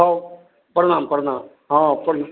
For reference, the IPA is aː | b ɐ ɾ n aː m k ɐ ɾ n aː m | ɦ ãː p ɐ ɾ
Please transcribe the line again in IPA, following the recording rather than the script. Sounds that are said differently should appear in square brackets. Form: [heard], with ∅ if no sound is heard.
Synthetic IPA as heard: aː | [p] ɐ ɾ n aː m [p] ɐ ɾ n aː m | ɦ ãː p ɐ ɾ